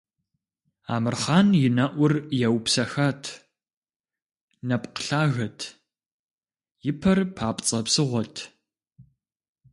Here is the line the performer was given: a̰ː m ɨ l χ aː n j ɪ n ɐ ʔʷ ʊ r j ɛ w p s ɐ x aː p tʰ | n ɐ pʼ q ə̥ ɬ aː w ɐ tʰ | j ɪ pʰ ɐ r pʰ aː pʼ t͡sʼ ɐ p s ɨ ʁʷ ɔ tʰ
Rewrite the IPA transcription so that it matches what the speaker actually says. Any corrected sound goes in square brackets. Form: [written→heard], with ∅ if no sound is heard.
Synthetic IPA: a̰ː m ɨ [l→r] χ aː n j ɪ n ɐ ʔʷ ʊ r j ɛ w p s ɐ x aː [p→∅] tʰ | n ɐ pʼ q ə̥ ɬ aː [w→ɣ] ɐ tʰ | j ɪ pʰ ɐ r pʰ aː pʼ t͡sʼ ɐ p s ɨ ʁʷ ɔ tʰ